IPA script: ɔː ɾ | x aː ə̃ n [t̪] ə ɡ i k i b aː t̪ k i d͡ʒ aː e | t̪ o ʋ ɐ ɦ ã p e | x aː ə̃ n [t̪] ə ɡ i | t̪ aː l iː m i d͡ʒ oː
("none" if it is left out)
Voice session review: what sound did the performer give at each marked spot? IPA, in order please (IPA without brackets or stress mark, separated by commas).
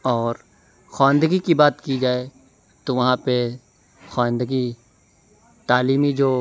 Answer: d̪, d̪